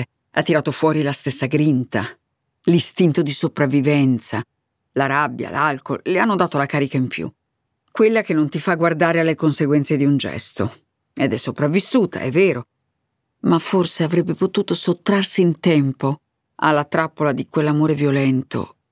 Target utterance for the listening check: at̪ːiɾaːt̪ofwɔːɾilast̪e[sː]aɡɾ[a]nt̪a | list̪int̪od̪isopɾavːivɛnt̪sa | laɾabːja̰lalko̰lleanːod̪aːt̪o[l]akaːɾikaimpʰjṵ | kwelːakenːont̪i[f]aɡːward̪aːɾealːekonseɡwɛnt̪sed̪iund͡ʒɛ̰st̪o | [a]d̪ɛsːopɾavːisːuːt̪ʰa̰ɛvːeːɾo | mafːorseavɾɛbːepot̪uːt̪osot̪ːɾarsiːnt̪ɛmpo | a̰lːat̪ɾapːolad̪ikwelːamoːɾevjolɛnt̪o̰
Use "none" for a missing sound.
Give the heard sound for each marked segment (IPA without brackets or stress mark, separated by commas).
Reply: sː, i, l, f, e